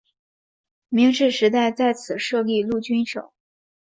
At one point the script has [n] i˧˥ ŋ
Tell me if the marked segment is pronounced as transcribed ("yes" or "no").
no